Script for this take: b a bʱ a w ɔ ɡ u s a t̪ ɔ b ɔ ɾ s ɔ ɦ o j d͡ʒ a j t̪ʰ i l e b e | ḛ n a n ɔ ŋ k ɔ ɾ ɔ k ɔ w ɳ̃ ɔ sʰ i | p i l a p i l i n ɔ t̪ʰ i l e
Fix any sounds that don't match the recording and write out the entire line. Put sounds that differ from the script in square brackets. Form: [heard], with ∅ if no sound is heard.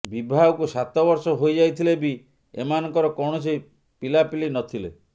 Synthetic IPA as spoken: b [i] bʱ a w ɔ [k] u s a t̪ ɔ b ɔ ɾ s ɔ ɦ o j d͡ʒ a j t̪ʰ i l e b [i] | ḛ [m] a n ɔ ŋ k ɔ ɾ ɔ k ɔ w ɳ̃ ɔ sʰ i | p i l a p i l i n ɔ t̪ʰ i l e